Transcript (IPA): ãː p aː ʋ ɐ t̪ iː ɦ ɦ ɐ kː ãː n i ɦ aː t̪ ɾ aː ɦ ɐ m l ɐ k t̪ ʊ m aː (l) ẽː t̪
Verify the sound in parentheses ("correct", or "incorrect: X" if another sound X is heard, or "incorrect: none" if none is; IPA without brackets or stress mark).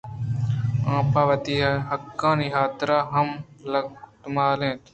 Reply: correct